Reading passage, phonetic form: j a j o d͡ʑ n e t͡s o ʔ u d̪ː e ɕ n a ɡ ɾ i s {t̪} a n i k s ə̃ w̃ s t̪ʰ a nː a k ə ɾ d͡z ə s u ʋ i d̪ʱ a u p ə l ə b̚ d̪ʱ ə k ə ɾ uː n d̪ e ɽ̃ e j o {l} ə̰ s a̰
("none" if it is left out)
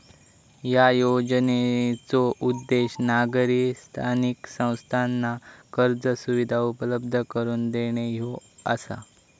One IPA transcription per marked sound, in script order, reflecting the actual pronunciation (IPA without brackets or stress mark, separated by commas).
t̪ʰ, none